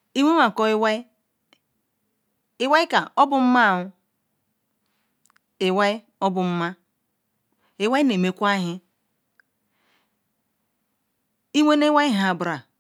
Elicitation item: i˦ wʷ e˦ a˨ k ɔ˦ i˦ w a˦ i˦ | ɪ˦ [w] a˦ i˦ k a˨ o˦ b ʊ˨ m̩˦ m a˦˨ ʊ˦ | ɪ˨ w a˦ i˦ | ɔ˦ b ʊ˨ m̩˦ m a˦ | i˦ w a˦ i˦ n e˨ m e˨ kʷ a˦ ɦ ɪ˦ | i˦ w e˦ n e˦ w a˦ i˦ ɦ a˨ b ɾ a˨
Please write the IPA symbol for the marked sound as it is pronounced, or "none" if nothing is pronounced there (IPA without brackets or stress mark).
w